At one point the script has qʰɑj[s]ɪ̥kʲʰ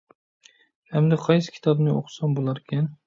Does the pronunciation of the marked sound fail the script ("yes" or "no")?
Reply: no